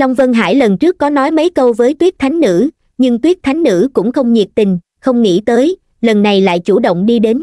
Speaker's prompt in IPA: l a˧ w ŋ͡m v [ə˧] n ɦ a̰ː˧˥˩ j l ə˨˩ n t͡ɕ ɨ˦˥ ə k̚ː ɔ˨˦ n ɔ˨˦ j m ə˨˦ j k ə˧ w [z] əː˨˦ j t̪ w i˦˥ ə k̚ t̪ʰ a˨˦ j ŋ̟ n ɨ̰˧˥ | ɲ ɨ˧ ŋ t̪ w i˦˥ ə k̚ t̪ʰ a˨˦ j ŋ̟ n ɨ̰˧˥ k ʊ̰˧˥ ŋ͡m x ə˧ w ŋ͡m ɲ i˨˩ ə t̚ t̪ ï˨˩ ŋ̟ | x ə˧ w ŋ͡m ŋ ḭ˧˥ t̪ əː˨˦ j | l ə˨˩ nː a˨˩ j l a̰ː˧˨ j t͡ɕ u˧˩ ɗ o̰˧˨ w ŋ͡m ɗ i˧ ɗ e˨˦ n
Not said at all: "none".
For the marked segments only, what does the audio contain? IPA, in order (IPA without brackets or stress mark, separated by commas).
ə˧, v